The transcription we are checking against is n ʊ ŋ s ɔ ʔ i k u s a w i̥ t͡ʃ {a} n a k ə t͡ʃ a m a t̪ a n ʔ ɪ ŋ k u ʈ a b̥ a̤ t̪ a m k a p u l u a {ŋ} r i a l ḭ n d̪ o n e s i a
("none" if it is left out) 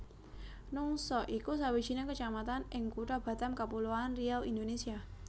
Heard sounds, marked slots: i, n

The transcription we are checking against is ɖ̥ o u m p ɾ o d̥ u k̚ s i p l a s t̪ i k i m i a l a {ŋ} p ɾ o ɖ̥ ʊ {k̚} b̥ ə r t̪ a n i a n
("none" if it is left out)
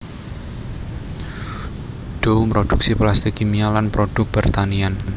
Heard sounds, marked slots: n, k̚

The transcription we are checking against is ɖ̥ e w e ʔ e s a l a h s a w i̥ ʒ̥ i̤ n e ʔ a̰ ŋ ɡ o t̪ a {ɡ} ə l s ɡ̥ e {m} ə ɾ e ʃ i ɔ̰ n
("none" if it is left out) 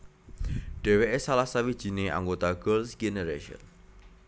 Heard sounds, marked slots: ɡ, n

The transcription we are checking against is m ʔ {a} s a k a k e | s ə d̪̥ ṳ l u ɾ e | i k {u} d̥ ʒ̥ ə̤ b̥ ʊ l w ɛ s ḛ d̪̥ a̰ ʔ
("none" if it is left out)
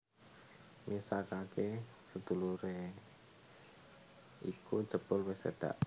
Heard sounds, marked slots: i, u

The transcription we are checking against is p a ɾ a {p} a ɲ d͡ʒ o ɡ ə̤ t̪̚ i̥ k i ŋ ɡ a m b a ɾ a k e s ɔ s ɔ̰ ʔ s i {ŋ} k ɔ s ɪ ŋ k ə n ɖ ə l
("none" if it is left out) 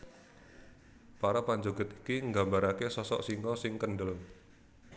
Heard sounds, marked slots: p, ŋ

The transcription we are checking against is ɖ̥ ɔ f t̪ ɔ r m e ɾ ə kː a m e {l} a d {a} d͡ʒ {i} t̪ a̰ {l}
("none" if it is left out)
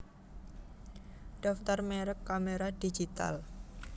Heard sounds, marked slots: ɾ, i, i, l

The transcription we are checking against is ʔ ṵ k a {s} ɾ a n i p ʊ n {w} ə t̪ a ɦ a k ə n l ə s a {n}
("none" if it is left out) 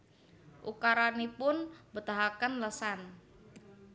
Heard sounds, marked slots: none, b, n

